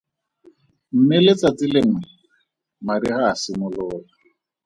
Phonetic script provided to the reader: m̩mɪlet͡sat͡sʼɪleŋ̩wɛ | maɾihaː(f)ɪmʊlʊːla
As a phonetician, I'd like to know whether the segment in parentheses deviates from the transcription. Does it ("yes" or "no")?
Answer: yes